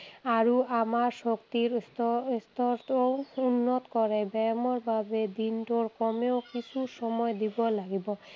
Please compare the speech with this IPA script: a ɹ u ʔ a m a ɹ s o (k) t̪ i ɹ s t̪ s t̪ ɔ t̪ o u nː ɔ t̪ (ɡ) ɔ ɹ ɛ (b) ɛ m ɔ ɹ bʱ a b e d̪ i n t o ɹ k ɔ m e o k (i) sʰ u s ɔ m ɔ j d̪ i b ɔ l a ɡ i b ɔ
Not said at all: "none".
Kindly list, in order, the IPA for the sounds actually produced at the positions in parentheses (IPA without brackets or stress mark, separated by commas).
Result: k, k, b, i